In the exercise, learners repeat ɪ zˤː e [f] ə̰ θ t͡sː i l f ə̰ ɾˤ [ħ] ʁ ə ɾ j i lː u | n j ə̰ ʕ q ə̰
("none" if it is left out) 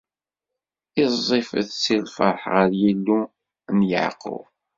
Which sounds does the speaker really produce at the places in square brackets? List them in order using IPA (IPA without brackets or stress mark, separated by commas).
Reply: f, ħ